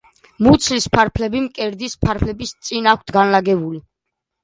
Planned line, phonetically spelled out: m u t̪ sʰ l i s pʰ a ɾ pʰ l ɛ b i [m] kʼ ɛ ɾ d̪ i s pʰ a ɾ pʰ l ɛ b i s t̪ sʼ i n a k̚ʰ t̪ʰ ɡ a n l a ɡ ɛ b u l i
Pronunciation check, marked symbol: correct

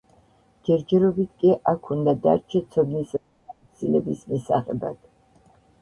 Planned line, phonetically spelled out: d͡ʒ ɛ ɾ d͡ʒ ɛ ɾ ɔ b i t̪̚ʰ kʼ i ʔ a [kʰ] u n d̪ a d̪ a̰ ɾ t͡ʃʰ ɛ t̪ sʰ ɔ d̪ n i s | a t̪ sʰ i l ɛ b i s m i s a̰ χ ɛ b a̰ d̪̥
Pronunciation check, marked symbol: correct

